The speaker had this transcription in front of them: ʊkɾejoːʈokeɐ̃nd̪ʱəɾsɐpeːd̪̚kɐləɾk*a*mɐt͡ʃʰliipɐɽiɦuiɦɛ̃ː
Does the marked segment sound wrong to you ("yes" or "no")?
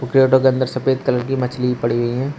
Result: yes